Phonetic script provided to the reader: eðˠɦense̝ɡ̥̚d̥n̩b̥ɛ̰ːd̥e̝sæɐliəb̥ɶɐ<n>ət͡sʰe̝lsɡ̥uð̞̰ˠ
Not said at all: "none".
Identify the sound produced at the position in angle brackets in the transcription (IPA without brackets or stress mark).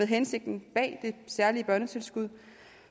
n